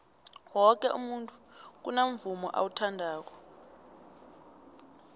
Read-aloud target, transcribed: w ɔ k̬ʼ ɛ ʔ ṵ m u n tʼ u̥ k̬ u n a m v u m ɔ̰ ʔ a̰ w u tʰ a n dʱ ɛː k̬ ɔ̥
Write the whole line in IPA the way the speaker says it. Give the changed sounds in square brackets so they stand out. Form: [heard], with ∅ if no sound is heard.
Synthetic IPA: w ɔ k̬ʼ ɛ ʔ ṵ m u n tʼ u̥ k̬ u n a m v u m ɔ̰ ʔ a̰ w u tʰ a n dʱ [aː] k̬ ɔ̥